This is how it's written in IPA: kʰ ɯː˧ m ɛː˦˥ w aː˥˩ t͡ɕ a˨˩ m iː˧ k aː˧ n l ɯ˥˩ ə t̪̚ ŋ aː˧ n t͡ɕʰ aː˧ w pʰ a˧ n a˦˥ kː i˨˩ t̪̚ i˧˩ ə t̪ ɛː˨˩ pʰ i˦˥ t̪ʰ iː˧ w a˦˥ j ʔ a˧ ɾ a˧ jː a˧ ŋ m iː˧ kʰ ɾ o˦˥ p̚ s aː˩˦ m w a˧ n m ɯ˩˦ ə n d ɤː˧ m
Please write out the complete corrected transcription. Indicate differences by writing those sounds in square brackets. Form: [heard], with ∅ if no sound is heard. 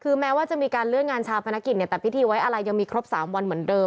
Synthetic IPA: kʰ ɯː˧ m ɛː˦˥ w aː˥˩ t͡ɕ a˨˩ m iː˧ k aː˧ n l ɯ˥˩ ə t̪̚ ŋ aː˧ n t͡ɕʰ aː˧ w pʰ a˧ n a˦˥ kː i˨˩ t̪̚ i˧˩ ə t̪ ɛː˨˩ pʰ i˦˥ t̪ʰ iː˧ w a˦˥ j ʔ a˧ ɾ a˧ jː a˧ ŋ m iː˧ kʰ ɾ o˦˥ p̚ s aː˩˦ m w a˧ n m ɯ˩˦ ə n d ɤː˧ m